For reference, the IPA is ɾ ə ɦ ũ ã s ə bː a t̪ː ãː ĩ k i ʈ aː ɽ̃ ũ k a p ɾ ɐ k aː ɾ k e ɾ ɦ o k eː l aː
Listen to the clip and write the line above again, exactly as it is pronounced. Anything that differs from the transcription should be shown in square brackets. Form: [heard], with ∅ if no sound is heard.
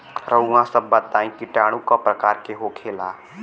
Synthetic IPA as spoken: ɾ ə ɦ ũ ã s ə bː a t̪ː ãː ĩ k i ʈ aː ɽ̃ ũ k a p ɾ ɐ k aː ɾ k e [∅] ɦ o [kʰ] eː l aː